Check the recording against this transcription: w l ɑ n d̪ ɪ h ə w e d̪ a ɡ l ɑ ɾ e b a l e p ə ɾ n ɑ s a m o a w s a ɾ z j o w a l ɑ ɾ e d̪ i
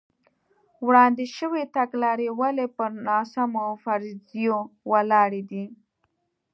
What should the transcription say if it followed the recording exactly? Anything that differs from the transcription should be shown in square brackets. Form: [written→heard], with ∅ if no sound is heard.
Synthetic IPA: w [l→ɽ] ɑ n d̪ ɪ [h→ʃ] ə w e [d̪→t̪] a ɡ l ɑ ɾ e [b→w] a l e p ə ɾ n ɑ s a m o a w [s→f] a ɾ z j o w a l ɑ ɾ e d̪ i